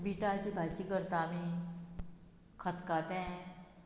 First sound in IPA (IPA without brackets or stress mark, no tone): b